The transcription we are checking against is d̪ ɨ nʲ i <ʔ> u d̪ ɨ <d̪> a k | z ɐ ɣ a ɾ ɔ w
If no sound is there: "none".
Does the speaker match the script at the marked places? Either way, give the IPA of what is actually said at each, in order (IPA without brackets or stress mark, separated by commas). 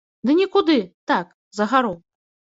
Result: k, t̪